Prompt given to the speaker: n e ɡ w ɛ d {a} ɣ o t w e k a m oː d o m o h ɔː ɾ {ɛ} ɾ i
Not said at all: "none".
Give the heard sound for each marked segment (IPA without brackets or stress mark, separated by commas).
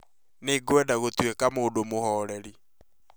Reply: a, ɛ